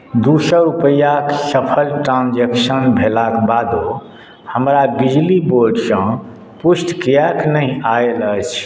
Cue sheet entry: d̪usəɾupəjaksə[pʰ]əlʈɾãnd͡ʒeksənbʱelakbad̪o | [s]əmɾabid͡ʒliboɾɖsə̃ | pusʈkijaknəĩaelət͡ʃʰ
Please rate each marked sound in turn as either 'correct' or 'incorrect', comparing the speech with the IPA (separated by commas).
correct, incorrect